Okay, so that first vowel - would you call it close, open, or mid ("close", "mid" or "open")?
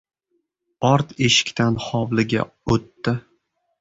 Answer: open